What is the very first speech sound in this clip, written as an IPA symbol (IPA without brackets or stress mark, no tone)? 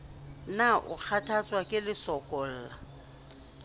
n